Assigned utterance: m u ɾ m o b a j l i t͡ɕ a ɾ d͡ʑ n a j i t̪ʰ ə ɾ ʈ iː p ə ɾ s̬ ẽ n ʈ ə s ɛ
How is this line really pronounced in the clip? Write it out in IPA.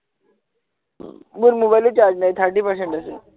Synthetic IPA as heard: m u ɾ m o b a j l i t͡ɕ a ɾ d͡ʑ n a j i t̪ʰ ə ɾ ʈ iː p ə ɾ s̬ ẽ ɳ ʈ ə s e